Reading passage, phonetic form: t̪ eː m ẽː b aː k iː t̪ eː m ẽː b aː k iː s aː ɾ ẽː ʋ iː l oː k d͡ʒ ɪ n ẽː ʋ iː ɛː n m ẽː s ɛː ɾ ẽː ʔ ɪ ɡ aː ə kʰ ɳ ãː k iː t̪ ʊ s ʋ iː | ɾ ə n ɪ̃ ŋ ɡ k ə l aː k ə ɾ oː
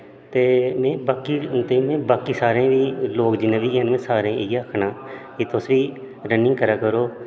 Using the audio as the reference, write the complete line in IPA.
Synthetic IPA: t̪ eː m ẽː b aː k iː t̪ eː m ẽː b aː k iː s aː ɾ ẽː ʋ iː l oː k d͡ʒ ɪ n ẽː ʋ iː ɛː n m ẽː s aː ɾ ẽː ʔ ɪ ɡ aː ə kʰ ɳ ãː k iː t̪ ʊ s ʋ iː | ɾ ə n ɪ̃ ŋ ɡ k ə ɾ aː k ə ɾ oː